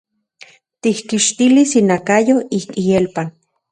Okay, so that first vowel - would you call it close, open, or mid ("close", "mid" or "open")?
close